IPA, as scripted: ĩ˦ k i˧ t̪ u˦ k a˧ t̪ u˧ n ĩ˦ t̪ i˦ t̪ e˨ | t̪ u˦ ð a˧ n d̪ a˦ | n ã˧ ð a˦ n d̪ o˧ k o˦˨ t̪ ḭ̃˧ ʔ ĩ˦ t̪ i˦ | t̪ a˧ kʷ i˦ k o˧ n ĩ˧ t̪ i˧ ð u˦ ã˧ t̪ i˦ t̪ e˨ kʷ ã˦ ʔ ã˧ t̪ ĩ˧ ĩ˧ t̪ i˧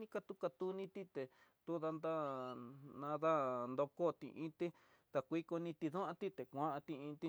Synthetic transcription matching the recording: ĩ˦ k a˧ t̪ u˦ k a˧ t̪ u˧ n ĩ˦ t̪ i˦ t̪ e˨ | t̪ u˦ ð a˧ n d̪ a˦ | n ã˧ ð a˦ n d̪ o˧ k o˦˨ t̪ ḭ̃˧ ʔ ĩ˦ t̪ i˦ | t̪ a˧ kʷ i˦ k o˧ n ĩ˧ t̪ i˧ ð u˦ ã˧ t̪ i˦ t̪ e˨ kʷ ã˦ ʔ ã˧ t̪ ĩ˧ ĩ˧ t̪ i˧